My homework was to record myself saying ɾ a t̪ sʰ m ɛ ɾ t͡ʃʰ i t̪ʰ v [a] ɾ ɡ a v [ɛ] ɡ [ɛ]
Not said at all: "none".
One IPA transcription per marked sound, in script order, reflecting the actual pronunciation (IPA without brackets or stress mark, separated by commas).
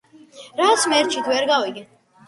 ɛ, i, ɛ